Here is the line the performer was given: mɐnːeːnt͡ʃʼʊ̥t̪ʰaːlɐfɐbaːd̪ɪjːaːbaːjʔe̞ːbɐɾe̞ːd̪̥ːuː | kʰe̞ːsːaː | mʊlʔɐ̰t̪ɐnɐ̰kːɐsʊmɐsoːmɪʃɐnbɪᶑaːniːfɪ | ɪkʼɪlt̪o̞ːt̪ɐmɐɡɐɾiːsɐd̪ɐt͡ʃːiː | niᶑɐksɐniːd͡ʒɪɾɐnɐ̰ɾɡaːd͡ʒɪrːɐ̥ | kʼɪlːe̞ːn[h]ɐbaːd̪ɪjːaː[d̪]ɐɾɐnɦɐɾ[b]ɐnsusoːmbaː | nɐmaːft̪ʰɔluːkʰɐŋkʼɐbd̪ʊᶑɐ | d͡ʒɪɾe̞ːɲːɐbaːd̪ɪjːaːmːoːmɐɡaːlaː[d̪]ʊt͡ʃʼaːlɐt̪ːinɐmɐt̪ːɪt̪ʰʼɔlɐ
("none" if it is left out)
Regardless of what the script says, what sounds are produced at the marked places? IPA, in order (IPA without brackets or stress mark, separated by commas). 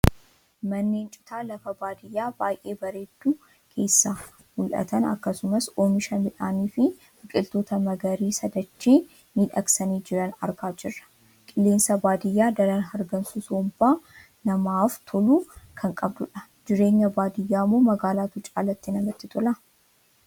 s, d̪, ɡ, t̪